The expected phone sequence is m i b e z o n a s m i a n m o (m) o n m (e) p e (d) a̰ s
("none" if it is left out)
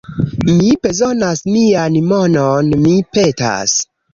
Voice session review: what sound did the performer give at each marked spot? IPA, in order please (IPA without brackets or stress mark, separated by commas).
n, i, t